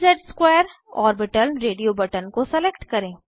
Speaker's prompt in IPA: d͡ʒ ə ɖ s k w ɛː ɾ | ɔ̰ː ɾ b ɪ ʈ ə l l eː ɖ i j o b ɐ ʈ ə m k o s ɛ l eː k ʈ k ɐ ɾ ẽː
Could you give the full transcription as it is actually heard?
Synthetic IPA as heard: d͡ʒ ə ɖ s k w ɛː ɾ | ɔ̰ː ɾ b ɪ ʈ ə l ɾ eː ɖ i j o b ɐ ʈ ə n k o s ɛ l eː k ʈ k ɐ ɾ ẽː